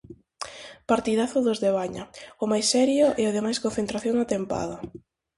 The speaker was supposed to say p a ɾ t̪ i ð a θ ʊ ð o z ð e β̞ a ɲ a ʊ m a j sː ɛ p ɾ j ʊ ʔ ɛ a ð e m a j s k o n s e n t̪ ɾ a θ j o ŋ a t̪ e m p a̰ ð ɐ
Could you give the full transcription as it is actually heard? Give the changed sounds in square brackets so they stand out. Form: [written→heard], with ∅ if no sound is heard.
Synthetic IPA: p a ɾ t̪ i ð a θ ʊ ð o z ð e β̞ a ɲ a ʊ m a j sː ɛ [p→∅] ɾ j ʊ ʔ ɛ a ð e m a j s k o n [s→θ] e n t̪ ɾ a θ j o ŋ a t̪ e m p a̰ ð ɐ